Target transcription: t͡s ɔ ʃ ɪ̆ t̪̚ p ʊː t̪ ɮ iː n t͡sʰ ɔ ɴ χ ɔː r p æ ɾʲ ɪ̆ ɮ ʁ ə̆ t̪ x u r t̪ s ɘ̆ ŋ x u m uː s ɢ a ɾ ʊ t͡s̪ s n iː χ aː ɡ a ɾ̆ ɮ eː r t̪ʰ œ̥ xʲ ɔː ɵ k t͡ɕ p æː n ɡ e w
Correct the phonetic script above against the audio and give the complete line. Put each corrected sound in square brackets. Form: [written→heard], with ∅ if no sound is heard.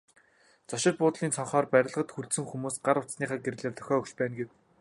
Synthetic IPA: t͡s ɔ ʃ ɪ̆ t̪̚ p ʊː t̪ ɮ iː n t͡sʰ ɔ ɴ χ ɔː r p æ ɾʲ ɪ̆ ɮ ʁ ə̆ t̪ x u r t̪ s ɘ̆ ŋ x u m uː s ɢ a ɾ ʊ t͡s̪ s n iː χ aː ɡ [a→e] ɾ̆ ɮ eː r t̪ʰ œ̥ xʲ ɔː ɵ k t͡ɕ p æː n ɡ e w